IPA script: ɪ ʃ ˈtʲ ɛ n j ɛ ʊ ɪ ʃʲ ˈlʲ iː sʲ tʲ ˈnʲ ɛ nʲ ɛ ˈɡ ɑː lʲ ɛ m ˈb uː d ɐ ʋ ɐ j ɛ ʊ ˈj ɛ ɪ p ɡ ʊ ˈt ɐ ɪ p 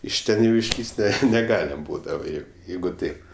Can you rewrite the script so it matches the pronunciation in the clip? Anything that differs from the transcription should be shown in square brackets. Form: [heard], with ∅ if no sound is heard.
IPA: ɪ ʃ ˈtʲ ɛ n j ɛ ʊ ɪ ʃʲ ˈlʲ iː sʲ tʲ ˈnʲ ɛ nʲ ɛ ˈɡ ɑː lʲ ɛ m ˈb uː d ɐ ʋ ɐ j ɛ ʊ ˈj ɛ ɪ [∅] ɡ ʊ ˈt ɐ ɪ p